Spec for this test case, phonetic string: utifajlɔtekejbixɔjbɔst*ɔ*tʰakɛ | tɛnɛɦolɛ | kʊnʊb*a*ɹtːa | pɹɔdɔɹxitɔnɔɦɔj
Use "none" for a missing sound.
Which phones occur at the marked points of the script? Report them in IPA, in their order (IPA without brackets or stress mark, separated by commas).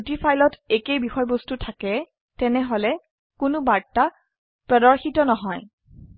u, a